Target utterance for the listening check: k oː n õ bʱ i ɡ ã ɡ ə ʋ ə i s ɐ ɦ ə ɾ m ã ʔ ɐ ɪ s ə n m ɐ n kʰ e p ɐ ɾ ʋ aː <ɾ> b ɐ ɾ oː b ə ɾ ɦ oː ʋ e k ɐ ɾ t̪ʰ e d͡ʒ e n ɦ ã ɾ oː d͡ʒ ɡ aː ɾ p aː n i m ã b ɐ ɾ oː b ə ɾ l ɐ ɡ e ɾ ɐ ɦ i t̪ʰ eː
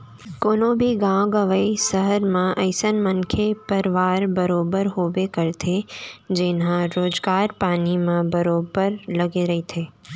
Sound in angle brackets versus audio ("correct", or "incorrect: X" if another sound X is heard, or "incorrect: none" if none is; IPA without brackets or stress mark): correct